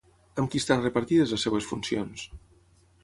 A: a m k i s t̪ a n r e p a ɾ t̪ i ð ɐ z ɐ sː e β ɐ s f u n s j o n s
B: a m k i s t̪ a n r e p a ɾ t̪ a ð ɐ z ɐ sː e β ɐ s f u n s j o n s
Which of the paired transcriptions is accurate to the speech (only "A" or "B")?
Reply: A